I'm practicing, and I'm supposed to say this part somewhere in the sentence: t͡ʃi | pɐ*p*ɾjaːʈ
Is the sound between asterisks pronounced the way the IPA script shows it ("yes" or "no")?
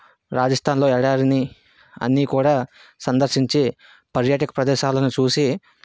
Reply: no